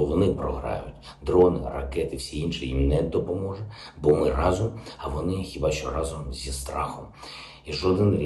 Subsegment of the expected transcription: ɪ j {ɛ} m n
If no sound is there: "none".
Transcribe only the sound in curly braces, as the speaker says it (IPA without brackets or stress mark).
i